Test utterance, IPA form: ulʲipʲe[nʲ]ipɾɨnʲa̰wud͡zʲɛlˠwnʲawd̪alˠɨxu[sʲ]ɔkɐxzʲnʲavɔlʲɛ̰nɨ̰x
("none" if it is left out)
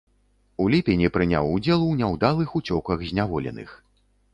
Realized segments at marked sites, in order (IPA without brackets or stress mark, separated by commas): nʲ, t͡sʲ